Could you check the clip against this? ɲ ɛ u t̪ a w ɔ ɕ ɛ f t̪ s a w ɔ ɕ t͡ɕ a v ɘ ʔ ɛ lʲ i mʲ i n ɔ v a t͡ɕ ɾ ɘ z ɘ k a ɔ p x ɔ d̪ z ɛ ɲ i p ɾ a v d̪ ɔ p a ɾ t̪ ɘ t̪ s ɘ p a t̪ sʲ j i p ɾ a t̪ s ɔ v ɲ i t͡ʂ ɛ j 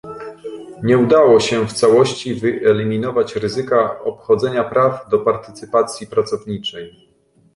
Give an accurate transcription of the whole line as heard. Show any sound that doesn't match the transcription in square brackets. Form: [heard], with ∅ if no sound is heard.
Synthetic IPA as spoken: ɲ ɛ u [d̪] a w ɔ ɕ ɛ f t̪ s a w ɔ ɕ t͡ɕ [i] v ɘ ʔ ɛ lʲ i mʲ i n ɔ v a t͡ɕ ɾ ɘ z ɘ k a ɔ p x ɔ d̪ z ɛ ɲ [a] p ɾ a v d̪ ɔ p a ɾ t̪ ɘ t̪ s ɘ p a t̪ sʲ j i p ɾ a t̪ s ɔ v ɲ i t͡ʂ ɛ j

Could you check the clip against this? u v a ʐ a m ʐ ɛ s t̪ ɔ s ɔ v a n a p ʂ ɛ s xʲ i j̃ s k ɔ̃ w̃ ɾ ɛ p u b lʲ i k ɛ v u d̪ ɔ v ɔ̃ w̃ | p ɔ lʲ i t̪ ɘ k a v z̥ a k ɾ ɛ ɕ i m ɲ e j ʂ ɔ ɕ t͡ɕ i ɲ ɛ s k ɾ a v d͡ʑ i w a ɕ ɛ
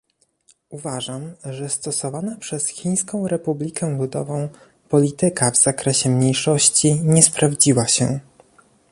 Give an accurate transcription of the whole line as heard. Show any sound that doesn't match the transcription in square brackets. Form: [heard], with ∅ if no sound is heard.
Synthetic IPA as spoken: u v a ʐ a m ʐ ɛ s t̪ ɔ s ɔ v a n a p ʂ ɛ s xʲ i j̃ s k ɔ̃ w̃ ɾ ɛ p u b lʲ i k ɛ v u d̪ ɔ v ɔ̃ w̃ | p ɔ lʲ i t̪ ɘ k a v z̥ a k ɾ ɛ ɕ [ɛ] m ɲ e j ʂ ɔ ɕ t͡ɕ i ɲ ɛ s [p] ɾ a v d͡ʑ i w a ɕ ɛ

